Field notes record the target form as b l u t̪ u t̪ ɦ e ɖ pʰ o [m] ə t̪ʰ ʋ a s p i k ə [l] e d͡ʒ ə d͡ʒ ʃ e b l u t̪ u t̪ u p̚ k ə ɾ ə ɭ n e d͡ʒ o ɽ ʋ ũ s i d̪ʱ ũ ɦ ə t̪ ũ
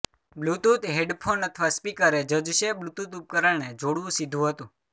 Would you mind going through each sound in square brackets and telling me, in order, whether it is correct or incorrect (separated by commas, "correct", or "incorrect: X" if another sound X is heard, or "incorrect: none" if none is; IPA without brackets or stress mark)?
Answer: incorrect: n, incorrect: ɾ